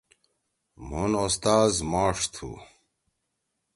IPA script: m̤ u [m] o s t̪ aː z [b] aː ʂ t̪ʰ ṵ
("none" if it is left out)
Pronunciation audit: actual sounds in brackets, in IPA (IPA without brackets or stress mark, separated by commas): n, m